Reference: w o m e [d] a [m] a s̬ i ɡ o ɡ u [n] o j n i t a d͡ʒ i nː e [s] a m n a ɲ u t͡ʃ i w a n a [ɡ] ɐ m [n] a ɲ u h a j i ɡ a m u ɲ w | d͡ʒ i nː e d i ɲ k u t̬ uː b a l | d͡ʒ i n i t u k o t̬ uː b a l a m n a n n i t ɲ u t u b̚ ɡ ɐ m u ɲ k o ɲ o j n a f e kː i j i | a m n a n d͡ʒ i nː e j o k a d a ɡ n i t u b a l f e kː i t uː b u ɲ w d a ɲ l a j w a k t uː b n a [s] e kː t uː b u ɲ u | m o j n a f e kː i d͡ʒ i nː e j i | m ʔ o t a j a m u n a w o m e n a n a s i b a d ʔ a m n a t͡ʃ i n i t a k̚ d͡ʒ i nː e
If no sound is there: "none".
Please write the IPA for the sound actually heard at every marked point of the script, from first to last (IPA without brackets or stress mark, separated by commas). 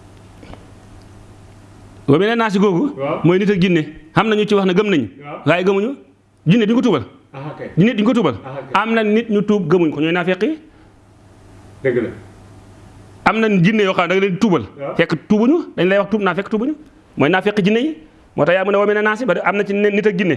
n, n, m, h, ɡ, n, f